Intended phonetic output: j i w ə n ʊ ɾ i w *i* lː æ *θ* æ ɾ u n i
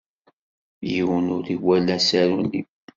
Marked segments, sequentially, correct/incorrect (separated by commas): incorrect, incorrect